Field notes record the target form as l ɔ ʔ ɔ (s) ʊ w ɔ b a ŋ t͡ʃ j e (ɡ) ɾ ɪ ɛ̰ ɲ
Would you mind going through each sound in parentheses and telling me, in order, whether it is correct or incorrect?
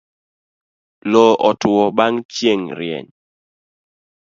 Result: incorrect: t, incorrect: ŋ

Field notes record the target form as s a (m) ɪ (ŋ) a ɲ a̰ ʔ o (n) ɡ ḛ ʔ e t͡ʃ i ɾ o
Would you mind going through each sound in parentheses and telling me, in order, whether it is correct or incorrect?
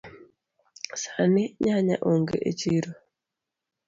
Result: incorrect: n, incorrect: ɲ, incorrect: ŋ

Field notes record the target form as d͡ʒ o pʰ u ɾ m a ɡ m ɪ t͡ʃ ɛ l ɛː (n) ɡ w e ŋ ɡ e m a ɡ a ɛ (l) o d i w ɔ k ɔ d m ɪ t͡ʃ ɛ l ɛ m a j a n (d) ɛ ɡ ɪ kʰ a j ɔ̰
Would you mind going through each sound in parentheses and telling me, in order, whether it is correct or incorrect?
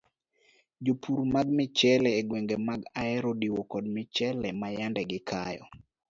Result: incorrect: none, incorrect: ɾ, correct

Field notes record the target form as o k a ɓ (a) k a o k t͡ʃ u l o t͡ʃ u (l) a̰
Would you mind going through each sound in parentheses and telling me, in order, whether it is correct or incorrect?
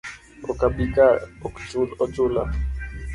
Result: incorrect: i, correct

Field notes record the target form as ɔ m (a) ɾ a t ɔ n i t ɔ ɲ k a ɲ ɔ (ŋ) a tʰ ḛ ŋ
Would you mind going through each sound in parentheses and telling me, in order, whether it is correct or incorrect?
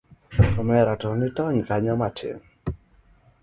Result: incorrect: ɛ, incorrect: m

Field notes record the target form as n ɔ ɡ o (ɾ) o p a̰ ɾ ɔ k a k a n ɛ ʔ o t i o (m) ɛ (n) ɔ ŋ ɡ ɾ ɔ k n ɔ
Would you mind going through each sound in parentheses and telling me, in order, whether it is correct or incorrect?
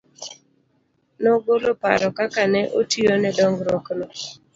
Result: incorrect: l, incorrect: n, incorrect: d

